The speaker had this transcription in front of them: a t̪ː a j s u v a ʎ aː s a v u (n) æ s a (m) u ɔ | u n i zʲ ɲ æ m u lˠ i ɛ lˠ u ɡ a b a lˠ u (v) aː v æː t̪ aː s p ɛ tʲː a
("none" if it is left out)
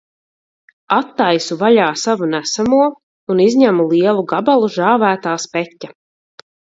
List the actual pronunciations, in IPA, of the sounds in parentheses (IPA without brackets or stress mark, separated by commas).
n, m, ʒ